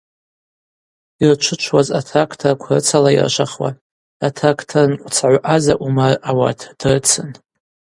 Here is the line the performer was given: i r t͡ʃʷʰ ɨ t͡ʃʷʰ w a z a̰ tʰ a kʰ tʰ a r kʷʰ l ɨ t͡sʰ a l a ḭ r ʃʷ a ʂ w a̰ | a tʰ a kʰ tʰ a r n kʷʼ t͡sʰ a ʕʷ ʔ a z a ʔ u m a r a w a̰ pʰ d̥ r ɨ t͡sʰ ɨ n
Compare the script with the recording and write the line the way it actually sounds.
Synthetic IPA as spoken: i r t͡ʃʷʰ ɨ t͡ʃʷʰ w a z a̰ tʰ a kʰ tʰ a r kʷʰ r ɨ t͡sʰ a l a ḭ r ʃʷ a χ w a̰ | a tʰ a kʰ tʰ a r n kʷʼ t͡sʰ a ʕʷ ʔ a z a ʔ u m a r a w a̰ tʰ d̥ r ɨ t͡sʰ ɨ n